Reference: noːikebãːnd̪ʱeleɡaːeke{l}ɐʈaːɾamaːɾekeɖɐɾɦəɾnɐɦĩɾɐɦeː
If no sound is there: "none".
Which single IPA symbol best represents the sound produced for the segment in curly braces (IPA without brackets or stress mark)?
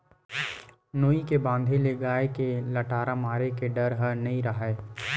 l